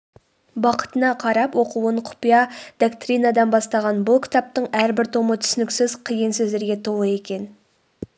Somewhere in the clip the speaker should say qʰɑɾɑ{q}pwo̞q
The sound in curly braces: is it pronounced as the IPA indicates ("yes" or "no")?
no